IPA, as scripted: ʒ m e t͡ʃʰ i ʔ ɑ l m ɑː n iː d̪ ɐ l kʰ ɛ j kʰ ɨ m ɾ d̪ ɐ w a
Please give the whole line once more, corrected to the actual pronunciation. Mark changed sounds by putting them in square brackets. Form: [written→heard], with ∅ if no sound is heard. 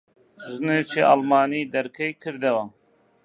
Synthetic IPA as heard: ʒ [m→n] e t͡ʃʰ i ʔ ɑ l m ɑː n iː d̪ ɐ [l→ɾ] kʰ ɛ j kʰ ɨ [m→∅] ɾ d̪ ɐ w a